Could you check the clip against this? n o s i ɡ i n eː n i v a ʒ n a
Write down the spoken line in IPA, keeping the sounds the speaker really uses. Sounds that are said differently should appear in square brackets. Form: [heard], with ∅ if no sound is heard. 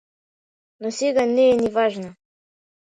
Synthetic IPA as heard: n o s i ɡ [a] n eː n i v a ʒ n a